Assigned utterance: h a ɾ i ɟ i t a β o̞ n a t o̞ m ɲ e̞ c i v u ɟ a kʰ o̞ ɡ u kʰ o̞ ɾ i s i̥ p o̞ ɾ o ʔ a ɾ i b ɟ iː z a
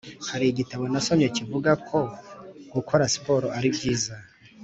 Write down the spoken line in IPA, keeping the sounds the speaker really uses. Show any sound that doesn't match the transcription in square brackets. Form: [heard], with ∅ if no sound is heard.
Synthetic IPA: h a ɾ i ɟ i t a β o̞ n a [s] o̞ m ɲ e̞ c i v u [ɡ] a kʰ o̞ ɡ u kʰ o̞ ɾ [a] s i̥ p o̞ ɾ o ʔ a ɾ i b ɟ iː z a

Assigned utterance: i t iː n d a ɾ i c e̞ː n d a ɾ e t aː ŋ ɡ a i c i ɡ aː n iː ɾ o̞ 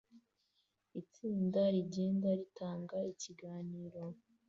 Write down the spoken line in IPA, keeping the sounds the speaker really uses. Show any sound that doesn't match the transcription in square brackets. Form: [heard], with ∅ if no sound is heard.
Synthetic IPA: i [t͡s] iː n d a ɾ i [ɟ] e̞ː n d a ɾ [i] t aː ŋ ɡ a i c i ɡ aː n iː ɾ o̞

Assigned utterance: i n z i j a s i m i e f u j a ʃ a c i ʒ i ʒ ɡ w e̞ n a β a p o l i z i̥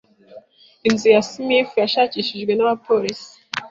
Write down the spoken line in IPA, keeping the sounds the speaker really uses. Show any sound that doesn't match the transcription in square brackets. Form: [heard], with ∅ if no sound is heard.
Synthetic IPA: i n z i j a s i m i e f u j a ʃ a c i [ʃ] i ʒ ɡ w e̞ n a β a p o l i [s] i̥

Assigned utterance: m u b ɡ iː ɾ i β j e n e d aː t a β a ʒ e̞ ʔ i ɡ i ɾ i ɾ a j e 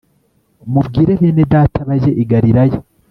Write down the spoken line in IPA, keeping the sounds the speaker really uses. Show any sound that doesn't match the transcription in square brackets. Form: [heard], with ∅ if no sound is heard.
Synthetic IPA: m u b ɡ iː ɾ [e] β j e n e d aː t a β a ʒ e̞ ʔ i ɡ [a] ɾ i ɾ a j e

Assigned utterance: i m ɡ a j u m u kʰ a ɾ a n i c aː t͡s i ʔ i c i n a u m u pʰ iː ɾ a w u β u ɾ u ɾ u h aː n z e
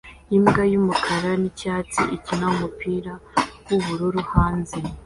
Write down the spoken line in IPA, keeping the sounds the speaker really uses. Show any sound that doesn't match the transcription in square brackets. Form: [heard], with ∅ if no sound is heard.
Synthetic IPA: i m ɡ a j u m u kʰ a ɾ a n i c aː t͡s i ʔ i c i n a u m u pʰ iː ɾ a w u β u ɾ u ɾ u h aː n z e

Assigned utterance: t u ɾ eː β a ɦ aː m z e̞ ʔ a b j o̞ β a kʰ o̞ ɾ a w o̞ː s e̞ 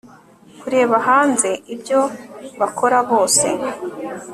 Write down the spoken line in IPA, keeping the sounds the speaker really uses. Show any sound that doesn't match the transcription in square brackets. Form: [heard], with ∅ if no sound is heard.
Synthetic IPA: [k] u ɾ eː β a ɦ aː [n] z e̞ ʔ [i] b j o̞ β a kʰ o̞ ɾ a [β] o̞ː s e̞

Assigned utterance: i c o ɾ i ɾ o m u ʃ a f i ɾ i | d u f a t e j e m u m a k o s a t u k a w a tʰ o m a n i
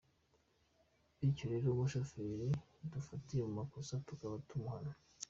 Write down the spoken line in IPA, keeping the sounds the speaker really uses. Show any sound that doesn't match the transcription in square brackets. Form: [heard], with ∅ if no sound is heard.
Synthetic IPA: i c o ɾ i ɾ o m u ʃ a f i ɾ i | d u f a t [i] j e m u m a k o s a t u k a [β] a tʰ [u] m a n [a]

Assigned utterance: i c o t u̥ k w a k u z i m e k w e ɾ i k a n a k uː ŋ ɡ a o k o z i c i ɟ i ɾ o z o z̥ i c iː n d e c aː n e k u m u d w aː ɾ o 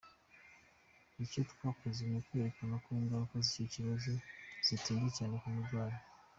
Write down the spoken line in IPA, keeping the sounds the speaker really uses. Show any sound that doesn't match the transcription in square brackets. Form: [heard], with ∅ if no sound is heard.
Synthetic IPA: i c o t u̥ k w a k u z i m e k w e ɾ [e] k a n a k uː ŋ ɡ a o k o z i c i [c] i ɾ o z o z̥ i [t] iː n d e c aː n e k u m u d w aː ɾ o

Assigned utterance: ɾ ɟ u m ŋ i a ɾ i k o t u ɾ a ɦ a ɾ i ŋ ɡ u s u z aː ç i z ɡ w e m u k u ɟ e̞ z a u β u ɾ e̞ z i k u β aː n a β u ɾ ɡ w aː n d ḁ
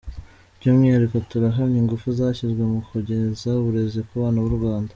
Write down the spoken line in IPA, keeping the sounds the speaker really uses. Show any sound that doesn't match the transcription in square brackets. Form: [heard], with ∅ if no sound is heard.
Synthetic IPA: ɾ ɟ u m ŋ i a ɾ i k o t u ɾ a ɦ a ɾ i ŋ ɡ u [f] u z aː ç i z ɡ w e m u k u ɟ e̞ z a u β u ɾ e̞ z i k u β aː n a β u ɾ ɡ w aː n d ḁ

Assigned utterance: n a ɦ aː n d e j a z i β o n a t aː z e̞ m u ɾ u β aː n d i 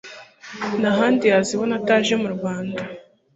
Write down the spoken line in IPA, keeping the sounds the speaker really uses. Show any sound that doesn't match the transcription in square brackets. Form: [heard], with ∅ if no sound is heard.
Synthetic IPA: n a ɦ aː n d [i] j a z i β o n a t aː [ʒ] e̞ m u ɾ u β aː n d [a]

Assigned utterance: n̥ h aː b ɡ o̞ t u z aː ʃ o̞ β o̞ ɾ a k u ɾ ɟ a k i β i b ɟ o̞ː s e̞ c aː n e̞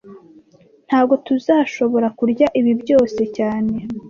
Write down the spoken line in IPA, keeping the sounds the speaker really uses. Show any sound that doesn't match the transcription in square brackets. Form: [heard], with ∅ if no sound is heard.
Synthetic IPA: n̥ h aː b ɡ o̞ t u z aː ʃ o̞ β o̞ ɾ a k u ɾ ɟ a [ʔ] i β i b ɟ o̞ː s e̞ c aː n e̞

